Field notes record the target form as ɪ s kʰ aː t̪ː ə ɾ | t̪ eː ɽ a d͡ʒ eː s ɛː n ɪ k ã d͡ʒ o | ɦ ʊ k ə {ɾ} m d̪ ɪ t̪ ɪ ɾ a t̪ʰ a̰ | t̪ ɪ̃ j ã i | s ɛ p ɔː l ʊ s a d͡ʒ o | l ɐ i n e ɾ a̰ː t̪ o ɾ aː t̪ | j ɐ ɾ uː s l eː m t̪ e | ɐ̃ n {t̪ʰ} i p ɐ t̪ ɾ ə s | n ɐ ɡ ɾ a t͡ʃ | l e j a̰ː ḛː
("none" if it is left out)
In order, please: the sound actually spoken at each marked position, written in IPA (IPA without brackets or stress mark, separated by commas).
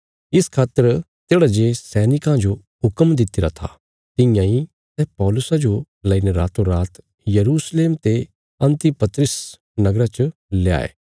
none, t̪